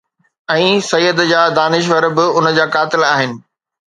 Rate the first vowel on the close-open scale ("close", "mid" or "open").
mid